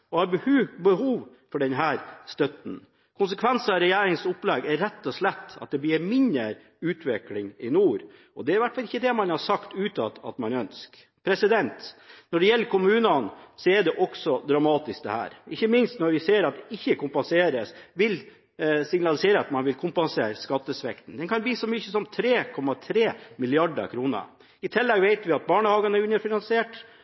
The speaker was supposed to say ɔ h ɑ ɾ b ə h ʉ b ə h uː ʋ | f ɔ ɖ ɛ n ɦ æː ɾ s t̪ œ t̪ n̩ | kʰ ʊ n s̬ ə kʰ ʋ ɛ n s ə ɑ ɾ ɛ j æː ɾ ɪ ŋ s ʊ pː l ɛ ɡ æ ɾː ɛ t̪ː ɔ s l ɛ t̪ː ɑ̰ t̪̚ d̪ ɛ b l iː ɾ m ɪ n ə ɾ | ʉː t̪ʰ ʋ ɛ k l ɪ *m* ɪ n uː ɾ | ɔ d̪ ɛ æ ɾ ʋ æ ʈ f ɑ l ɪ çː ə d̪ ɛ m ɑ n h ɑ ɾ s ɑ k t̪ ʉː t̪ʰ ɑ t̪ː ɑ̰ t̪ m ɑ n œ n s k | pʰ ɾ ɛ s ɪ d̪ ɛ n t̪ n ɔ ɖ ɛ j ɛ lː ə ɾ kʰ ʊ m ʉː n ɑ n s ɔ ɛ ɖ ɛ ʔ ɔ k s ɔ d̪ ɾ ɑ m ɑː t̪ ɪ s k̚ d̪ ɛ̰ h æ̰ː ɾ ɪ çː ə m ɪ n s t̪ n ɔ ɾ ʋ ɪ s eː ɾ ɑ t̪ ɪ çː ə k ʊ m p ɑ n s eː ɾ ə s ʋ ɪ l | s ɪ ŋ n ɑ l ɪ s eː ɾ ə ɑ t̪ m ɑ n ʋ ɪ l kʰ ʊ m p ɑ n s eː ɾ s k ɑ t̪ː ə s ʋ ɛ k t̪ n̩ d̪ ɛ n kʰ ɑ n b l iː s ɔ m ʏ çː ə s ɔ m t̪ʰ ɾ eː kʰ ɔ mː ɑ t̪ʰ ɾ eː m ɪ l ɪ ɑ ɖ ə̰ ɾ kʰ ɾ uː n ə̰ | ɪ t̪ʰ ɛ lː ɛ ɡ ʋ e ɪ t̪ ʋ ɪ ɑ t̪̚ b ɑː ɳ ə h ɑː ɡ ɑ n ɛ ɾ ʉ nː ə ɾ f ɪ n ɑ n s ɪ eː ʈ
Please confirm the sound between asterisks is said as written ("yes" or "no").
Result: no